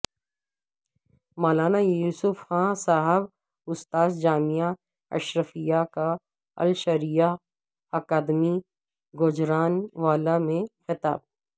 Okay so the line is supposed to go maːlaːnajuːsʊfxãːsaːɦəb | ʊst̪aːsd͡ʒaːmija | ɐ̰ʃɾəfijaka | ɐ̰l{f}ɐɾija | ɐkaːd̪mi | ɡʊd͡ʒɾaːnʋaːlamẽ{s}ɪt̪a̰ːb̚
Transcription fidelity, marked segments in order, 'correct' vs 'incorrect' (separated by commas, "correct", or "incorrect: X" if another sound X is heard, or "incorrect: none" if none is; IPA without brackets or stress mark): incorrect: ʃ, incorrect: x